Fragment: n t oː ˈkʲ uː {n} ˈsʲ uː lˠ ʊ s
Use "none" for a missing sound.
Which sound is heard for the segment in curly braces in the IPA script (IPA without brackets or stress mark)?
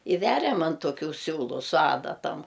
none